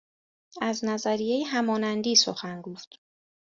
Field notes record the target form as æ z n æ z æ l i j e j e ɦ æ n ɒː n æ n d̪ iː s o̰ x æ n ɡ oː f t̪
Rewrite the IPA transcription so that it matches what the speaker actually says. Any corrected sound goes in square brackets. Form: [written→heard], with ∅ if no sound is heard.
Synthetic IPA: æ z n æ z æ [l→ɾ] i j e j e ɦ æ [n→m] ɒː n æ n d̪ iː s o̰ x æ n ɡ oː f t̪